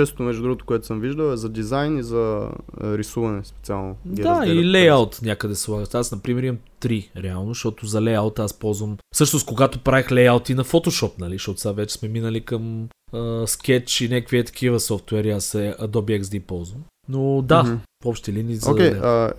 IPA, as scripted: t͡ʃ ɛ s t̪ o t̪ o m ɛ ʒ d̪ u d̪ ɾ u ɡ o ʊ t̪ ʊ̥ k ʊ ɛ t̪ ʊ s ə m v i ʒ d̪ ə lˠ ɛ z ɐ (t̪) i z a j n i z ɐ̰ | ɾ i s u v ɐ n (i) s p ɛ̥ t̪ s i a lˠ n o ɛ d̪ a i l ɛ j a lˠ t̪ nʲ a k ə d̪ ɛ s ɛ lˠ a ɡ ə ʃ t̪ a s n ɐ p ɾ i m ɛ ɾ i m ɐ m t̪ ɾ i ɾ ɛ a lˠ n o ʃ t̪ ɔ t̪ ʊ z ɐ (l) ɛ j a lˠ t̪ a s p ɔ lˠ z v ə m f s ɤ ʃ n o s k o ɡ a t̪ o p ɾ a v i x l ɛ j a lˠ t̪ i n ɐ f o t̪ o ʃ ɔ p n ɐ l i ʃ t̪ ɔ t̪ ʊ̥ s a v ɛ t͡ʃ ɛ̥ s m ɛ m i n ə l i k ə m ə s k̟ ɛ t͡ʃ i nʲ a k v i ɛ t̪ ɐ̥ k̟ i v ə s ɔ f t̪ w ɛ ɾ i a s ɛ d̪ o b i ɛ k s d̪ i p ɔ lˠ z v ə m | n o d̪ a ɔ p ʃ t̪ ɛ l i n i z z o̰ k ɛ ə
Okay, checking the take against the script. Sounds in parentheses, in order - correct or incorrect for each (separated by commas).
incorrect, incorrect, correct